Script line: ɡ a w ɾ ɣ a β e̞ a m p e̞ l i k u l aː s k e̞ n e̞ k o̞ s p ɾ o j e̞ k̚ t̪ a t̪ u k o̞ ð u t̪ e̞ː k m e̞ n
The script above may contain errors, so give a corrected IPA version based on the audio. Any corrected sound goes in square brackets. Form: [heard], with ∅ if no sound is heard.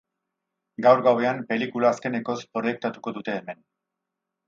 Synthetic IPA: ɡ a w ɾ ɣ a [w] e̞ a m p e̞ l i k u l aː s k e̞ n e̞ k o̞ s p ɾ o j e̞ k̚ t̪ a t̪ u k o̞ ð u t̪ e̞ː [∅] m e̞ n